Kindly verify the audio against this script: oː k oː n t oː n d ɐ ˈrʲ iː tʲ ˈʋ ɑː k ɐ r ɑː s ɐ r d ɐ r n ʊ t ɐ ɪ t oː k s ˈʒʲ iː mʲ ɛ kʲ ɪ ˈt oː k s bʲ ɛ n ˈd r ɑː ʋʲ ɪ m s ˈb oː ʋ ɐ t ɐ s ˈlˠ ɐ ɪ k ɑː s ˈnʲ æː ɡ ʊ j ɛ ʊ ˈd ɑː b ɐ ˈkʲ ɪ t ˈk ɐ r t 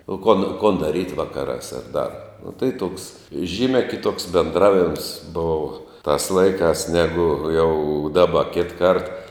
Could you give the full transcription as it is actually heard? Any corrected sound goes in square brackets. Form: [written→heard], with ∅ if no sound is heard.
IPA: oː k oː n [t→k] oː n d ɐ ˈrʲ iː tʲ ˈʋ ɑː k ɐ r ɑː s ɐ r d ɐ r n ʊ t ɐ ɪ t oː k s ˈʒʲ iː mʲ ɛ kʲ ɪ ˈt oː k s bʲ ɛ n ˈd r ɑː ʋʲ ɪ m s ˈb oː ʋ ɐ t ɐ s ˈlˠ ɐ ɪ k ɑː s ˈnʲ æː ɡ ʊ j ɛ ʊ ˈd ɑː b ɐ ˈkʲ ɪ t ˈk ɐ r t

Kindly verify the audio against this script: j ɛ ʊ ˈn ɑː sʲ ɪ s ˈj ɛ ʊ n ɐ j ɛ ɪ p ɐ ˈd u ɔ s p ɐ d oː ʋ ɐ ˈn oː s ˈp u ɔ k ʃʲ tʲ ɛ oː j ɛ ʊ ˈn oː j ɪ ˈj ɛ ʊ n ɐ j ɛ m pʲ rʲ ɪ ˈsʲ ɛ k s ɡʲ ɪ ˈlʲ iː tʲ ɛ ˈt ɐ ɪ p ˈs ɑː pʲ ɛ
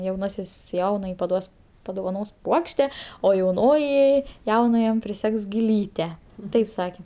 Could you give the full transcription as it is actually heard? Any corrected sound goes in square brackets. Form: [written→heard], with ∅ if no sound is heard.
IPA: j ɛ ʊ ˈn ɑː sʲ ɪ s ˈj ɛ ʊ n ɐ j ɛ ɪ p ɐ ˈd u ɔ s p ɐ d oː ʋ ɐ ˈn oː s ˈp u ɔ k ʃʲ tʲ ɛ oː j ɛ ʊ ˈn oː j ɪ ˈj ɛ ʊ n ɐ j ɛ m pʲ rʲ ɪ ˈsʲ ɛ k s ɡʲ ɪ ˈlʲ iː tʲ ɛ ˈt ɐ ɪ p ˈs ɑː [pʲ→kʲ] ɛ

